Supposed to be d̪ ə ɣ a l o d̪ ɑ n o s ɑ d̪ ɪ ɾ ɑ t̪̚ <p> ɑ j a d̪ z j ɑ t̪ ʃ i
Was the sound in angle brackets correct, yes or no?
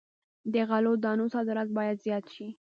no